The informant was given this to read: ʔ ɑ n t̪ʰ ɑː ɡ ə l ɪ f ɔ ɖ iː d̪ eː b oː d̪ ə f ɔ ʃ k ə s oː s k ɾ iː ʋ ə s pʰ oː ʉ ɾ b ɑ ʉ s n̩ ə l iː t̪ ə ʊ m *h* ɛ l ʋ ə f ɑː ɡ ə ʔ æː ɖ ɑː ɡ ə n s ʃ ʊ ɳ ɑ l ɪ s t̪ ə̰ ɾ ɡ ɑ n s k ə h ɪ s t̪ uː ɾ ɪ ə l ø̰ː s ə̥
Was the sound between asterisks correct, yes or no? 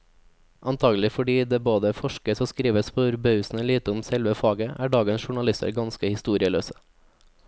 no